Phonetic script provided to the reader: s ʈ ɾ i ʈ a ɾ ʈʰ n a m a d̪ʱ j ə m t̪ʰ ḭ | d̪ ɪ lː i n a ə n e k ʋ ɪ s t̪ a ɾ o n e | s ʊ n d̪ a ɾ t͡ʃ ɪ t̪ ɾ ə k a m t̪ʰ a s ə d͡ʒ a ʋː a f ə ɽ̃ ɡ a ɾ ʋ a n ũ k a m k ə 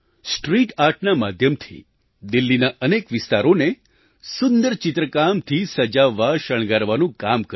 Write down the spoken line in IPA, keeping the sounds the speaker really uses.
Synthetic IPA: s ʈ ɾ i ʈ a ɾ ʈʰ n a m a d̪ʱ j ə m t̪ʰ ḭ | d̪ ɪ lː i n a ə n e k ʋ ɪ s t̪ a ɾ o n e | s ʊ n d̪ ə ɾ t͡ʃ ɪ t̪ ɾ ə k a m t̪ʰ i s ə d͡ʒ a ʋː a ʃ ə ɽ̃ ɡ a ɾ ʋ a n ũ k a m k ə